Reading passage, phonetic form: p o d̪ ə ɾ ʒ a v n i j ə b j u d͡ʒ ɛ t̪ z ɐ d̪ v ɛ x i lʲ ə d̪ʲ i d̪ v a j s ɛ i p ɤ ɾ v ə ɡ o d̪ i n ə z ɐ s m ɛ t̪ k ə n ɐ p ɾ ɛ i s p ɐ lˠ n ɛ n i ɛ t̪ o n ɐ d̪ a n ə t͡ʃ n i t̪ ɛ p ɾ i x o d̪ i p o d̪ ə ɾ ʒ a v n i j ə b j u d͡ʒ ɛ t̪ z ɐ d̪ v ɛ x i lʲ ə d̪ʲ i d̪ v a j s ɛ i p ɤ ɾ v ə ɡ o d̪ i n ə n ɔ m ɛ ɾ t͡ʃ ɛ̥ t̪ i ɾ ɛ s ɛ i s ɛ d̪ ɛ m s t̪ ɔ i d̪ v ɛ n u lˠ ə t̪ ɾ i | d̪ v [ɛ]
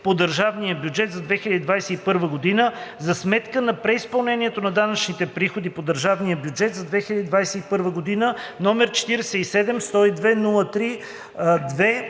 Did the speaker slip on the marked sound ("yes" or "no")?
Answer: no